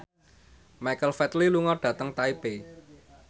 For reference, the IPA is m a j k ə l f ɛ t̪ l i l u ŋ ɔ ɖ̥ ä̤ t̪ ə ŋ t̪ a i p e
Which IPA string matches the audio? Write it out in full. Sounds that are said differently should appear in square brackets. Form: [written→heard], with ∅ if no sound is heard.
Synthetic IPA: m a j k ə l f ɛ t̪ l i l u ŋ ɔ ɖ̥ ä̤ t̪ ə ŋ t̪ a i p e